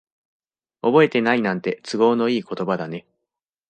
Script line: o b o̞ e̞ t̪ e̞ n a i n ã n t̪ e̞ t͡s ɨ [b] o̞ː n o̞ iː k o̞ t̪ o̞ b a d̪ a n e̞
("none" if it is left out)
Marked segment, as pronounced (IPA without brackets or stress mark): ɡ